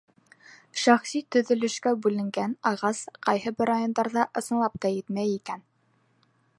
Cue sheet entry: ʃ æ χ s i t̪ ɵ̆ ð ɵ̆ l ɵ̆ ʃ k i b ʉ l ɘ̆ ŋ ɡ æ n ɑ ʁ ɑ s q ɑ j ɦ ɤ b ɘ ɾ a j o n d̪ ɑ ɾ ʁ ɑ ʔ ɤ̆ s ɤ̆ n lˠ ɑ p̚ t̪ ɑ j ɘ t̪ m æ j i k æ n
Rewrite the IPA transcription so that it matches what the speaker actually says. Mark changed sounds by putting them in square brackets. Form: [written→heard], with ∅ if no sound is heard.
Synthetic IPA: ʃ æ χ s i t̪ ɵ̆ ð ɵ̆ l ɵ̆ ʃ k [i→æ] b ʉ l ɘ̆ ŋ ɡ æ n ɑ ʁ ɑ s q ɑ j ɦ ɤ b ɘ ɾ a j o n d̪ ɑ ɾ [ʁ→ð] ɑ ʔ ɤ̆ s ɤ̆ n lˠ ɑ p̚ t̪ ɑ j ɘ t̪ m æ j i k æ n